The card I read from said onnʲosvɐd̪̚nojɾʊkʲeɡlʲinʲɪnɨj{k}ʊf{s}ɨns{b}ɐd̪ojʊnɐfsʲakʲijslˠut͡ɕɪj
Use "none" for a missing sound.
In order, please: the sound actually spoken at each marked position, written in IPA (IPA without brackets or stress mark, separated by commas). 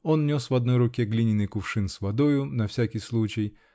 k, ʂ, v